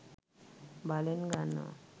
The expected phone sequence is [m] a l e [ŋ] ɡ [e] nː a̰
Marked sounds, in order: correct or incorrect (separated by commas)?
incorrect, incorrect, incorrect